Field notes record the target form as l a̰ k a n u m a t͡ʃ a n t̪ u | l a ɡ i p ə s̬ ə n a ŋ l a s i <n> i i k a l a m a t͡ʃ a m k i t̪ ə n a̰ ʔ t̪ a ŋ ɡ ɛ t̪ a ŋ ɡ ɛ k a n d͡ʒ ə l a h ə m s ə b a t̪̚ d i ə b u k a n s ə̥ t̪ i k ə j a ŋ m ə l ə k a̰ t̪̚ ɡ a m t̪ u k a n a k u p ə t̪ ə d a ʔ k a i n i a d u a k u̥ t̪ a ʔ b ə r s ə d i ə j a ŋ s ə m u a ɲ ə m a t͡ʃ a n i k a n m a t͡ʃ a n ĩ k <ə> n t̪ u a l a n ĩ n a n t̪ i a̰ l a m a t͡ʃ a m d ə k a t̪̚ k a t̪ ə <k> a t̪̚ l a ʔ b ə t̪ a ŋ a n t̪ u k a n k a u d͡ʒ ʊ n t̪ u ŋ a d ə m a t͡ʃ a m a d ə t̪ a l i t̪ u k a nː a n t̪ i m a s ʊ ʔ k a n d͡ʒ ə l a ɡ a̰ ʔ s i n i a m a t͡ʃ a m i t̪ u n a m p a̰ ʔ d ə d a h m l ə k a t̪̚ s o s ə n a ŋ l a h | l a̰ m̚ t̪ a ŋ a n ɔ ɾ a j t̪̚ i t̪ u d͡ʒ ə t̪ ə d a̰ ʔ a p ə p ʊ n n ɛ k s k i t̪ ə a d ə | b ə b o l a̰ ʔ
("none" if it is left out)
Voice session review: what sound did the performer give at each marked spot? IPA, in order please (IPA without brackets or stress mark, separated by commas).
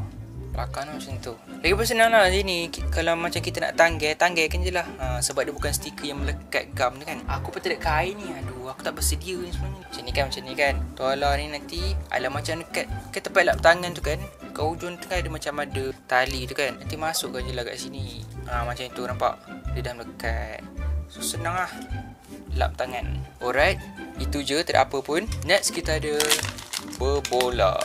n, a, p